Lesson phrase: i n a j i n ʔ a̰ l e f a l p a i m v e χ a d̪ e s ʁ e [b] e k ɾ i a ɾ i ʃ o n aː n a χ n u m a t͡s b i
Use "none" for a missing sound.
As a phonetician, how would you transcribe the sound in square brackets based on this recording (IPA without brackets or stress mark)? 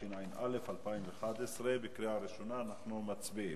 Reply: b